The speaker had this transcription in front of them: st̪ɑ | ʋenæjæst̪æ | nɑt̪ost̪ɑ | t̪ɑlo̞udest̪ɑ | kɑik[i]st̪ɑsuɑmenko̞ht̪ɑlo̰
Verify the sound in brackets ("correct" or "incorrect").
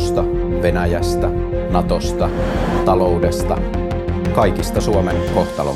correct